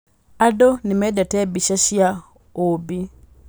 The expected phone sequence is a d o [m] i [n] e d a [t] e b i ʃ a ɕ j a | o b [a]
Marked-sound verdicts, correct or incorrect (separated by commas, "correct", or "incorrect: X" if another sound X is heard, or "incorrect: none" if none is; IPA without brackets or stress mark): incorrect: n, incorrect: m, correct, incorrect: i